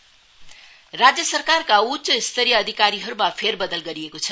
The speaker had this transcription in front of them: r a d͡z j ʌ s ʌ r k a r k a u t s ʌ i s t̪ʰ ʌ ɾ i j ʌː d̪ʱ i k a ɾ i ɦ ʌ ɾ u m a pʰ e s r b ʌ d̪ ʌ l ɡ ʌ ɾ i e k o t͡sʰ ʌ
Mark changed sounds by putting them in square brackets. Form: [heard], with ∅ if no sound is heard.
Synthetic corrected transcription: r a d͡z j ʌ s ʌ r k a r k a u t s ʌ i s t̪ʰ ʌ ɾ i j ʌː d̪ʱ i k a ɾ i ɦ ʌ ɾ u m a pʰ e [∅] r b ʌ d̪ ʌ l ɡ ʌ ɾ i e k o t͡sʰ ʌ